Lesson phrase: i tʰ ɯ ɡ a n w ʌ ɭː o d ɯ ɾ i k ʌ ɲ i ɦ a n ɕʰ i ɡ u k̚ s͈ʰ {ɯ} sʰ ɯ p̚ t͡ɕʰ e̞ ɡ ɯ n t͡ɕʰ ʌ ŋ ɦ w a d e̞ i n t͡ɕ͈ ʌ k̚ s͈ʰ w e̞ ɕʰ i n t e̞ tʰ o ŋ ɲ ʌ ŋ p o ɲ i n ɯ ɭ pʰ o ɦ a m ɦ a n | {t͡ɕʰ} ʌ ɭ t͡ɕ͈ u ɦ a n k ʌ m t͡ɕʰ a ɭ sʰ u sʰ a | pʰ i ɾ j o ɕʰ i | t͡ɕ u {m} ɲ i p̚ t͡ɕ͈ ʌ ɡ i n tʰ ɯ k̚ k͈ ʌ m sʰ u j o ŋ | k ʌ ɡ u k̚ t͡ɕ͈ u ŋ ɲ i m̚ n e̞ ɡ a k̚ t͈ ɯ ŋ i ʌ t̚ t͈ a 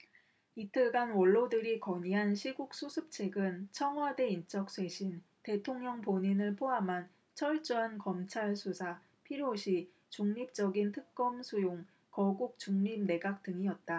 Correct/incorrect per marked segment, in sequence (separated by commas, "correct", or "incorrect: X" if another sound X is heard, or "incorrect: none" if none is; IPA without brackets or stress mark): incorrect: u, correct, incorrect: ŋ